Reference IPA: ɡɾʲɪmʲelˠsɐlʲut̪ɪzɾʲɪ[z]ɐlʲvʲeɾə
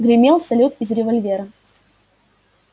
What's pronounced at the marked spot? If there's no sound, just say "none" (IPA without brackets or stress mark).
v